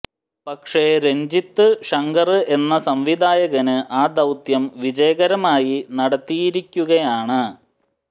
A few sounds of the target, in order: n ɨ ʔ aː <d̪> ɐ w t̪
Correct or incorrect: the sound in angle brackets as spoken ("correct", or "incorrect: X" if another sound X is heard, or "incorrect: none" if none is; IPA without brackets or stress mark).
correct